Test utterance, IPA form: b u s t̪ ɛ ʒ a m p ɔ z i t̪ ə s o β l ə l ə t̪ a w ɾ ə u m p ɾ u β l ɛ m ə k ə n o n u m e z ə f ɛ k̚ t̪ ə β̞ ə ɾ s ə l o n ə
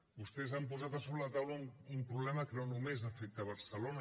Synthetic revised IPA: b u s t̪ ɛ z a m p u z a t̪ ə s o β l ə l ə t̪ a w l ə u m p ɾ u β l ɛ m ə k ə n o n u m e z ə f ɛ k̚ t̪ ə β̞ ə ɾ s ə l o n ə